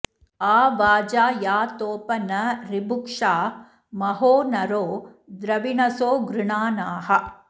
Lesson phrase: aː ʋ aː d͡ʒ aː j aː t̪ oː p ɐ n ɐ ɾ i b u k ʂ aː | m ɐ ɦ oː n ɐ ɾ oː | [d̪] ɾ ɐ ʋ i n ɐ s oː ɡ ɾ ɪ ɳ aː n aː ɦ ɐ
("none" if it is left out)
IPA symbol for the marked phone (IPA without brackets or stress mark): d̪